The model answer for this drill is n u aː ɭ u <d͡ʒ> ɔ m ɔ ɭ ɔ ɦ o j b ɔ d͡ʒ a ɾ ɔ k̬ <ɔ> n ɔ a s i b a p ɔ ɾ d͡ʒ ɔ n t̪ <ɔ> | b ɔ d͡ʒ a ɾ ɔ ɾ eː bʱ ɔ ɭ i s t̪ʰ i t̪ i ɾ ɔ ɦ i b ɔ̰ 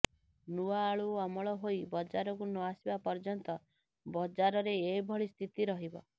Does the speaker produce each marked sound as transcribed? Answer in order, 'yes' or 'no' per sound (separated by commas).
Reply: no, no, yes